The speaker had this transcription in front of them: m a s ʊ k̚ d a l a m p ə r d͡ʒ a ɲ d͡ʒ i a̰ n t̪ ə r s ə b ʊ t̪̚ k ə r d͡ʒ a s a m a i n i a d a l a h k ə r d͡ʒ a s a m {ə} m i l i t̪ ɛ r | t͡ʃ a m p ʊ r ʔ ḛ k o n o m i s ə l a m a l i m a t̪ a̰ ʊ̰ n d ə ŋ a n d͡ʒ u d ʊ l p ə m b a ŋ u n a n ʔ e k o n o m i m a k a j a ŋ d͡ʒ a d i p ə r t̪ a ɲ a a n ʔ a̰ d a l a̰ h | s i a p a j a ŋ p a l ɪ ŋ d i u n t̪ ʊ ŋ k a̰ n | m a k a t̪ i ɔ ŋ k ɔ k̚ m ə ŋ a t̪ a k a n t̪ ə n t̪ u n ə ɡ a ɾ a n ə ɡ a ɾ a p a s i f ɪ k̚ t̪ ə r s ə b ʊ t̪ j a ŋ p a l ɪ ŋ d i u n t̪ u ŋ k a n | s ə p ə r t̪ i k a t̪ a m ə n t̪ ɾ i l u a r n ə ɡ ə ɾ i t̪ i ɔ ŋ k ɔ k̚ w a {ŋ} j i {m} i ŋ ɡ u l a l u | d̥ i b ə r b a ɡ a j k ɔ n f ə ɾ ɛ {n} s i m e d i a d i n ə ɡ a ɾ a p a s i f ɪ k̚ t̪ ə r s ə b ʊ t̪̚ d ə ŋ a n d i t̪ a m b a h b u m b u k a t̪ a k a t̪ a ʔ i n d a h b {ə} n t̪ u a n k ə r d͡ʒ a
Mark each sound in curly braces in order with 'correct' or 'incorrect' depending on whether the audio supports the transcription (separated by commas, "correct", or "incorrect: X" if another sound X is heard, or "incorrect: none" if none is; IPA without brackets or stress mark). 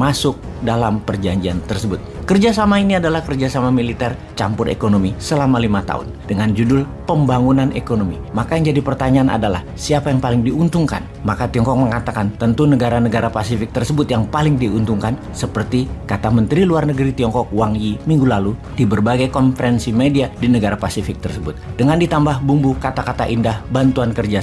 incorrect: a, correct, correct, correct, incorrect: a